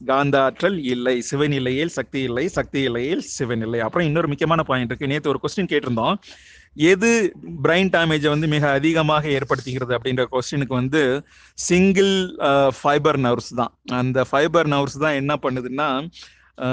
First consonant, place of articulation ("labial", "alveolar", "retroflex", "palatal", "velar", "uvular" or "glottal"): velar